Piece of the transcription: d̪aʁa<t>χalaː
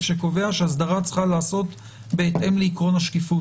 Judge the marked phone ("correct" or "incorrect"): incorrect